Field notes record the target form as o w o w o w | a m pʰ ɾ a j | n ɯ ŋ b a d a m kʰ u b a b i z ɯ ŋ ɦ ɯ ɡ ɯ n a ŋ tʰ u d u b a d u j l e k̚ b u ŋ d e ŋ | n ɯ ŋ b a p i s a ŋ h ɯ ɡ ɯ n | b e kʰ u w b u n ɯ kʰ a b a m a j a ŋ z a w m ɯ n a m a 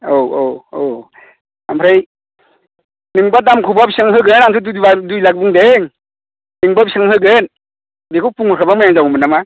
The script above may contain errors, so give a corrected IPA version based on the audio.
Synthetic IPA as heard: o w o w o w | a m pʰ ɾ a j | n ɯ ŋ b a d a m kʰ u b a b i s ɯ ŋ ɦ ɯ ɡ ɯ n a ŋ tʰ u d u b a d u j l a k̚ b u ŋ d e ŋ | n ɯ ŋ b a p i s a ŋ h ɯ ɡ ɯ n | b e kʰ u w p u ŋ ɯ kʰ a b a m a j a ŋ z a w m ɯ n a m a